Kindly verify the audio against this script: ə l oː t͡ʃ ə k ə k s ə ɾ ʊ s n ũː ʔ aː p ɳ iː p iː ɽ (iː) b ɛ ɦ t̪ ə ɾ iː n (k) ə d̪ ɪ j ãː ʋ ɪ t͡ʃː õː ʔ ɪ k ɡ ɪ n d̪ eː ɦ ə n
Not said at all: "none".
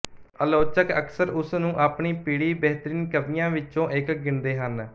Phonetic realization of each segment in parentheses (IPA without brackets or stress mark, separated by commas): iː, k